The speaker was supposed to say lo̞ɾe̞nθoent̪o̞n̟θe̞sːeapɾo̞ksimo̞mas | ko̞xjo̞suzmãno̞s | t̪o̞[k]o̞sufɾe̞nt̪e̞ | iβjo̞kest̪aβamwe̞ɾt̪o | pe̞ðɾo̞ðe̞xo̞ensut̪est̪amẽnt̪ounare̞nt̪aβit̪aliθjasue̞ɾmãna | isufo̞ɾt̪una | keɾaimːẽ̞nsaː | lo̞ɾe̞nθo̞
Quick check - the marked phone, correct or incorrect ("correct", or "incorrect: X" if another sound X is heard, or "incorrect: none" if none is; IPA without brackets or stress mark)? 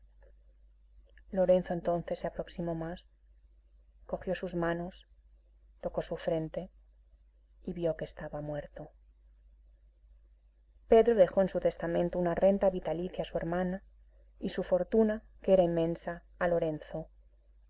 correct